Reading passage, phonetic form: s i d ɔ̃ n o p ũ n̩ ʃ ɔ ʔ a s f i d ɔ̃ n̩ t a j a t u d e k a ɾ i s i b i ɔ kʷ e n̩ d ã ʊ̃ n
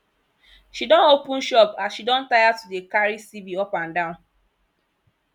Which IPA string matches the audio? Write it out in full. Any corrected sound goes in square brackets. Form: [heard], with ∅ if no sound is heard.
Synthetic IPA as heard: [ʃ] i d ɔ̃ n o p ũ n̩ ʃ ɔ [p] a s [ʃ] i d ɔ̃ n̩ t a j a t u d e k a ɾ i s i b i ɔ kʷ [a] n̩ d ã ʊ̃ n